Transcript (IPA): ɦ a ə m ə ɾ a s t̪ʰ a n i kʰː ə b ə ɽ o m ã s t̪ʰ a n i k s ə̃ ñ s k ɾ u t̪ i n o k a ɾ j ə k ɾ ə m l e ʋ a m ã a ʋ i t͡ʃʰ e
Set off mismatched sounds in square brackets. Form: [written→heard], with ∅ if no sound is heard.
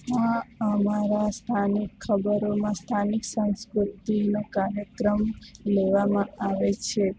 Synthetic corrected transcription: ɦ a ə m [ə→a] ɾ a s t̪ʰ a n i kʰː ə b ə [ɽ→ɾ] o m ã s t̪ʰ a n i k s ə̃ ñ s k ɾ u t̪ i n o k a ɾ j ə k ɾ ə m l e ʋ a m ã a ʋ [i→e] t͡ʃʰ e